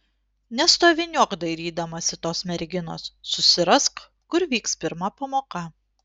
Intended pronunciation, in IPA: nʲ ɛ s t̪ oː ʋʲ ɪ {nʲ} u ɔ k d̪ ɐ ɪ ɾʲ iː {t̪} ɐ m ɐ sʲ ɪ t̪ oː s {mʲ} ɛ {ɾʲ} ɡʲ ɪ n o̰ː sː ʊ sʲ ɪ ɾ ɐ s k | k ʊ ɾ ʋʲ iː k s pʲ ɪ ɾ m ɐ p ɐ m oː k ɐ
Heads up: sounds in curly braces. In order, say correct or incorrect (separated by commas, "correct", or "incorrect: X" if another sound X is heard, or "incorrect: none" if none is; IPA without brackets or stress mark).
correct, incorrect: d̪, correct, correct